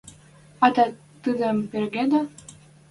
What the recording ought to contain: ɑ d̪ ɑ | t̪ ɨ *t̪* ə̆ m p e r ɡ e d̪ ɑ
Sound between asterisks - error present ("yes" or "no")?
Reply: yes